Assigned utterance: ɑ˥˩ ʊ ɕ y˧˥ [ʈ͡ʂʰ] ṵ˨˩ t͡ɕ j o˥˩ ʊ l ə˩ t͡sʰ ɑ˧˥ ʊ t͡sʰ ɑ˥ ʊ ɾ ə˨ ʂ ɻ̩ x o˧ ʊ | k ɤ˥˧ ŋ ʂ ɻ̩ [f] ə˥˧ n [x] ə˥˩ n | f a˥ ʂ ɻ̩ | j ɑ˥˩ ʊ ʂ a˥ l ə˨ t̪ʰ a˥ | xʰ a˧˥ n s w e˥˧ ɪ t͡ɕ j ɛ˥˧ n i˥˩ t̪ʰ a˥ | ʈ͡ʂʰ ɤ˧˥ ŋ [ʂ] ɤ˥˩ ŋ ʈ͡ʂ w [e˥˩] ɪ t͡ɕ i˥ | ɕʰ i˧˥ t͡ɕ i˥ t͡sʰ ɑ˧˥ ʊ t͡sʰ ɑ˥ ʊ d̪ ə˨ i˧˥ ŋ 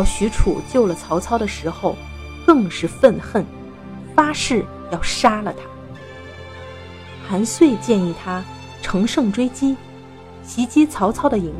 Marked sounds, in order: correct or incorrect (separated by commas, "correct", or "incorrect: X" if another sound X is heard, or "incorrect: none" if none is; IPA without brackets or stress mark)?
correct, correct, correct, correct, incorrect: e˥